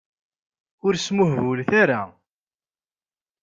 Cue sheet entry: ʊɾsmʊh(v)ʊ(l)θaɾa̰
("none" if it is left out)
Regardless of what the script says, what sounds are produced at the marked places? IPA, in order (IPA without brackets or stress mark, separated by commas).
v, l